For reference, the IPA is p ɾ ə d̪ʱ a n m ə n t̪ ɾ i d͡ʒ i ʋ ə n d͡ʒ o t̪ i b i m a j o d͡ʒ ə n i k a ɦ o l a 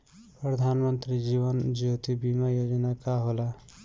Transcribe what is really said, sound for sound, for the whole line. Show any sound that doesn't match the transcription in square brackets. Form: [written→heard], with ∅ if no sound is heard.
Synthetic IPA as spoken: p ɾ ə d̪ʱ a n m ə n t̪ ɾ i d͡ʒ i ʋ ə n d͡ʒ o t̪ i b i m a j o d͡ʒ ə n [i→a] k a ɦ o l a